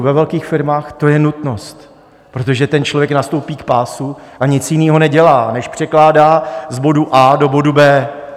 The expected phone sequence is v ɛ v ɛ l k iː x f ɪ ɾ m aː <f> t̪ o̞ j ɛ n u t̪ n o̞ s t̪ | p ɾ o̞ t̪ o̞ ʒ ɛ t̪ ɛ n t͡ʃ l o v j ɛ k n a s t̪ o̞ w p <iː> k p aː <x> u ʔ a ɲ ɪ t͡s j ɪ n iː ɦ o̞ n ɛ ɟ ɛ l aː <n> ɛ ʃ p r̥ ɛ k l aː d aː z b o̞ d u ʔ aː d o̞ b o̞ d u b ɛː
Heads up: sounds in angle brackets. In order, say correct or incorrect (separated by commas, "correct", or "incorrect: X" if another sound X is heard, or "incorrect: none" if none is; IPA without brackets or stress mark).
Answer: incorrect: x, correct, incorrect: s, correct